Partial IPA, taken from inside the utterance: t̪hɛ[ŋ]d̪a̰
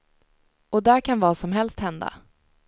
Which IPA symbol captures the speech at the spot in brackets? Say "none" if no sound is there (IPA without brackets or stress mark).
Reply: n